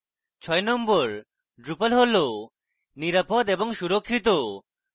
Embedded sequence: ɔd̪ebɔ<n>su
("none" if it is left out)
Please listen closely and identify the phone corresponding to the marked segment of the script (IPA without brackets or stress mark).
ŋ